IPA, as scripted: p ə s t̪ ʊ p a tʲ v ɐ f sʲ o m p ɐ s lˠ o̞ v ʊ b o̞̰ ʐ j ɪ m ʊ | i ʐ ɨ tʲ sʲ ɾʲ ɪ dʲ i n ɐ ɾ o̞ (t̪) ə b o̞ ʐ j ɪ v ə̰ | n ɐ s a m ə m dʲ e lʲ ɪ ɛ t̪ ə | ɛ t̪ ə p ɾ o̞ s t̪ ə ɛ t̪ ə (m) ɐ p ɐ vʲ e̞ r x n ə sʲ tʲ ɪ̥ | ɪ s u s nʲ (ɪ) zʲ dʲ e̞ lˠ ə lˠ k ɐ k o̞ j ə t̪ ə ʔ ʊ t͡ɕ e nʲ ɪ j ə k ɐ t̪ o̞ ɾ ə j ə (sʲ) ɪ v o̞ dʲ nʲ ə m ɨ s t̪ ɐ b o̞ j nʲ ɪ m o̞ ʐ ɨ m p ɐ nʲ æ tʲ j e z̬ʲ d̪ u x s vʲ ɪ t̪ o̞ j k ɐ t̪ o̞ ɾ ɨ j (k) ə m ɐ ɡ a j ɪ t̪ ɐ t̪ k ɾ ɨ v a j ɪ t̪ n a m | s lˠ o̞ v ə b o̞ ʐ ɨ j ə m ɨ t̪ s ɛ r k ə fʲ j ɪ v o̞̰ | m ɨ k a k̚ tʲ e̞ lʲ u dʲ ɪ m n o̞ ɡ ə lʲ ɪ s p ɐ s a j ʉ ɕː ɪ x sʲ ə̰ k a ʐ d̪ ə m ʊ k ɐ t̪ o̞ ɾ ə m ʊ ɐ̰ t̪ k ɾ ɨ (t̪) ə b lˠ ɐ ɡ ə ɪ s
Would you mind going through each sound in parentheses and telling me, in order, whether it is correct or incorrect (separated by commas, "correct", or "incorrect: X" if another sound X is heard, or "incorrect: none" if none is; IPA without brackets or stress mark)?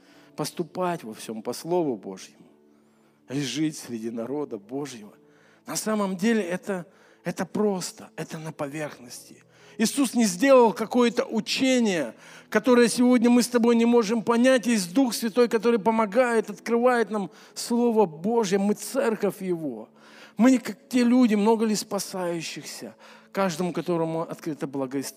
incorrect: d̪, incorrect: n, correct, correct, incorrect: p, correct